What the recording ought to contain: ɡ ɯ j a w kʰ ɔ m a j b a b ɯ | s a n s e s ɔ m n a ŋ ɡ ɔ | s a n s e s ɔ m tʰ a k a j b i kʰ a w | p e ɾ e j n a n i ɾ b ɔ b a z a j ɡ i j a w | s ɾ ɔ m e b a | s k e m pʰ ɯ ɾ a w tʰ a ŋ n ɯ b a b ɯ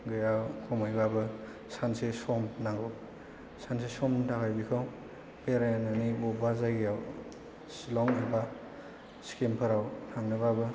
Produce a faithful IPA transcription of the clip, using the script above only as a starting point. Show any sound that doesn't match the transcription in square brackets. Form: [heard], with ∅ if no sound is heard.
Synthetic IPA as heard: ɡ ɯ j a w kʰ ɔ m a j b a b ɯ | s a n s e s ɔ m n a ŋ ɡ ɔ | s a n s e s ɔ m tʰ a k a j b i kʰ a w | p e ɾ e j n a n i [∅] b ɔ b a z a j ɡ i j a w | s [l] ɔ [ŋ] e b a | s k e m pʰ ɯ ɾ a w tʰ a ŋ n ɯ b a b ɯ